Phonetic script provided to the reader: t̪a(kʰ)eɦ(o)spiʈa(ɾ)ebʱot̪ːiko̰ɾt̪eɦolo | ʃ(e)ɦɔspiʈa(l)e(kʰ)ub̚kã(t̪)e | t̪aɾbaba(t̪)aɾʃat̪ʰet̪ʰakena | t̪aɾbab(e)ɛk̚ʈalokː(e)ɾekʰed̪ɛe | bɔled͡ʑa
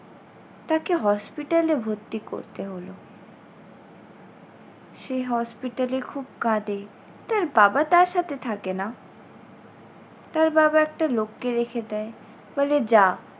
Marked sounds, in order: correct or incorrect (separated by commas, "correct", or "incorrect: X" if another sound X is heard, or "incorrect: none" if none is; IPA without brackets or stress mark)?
incorrect: k, incorrect: ɔ, incorrect: l, correct, correct, correct, incorrect: d̪, correct, incorrect: a, correct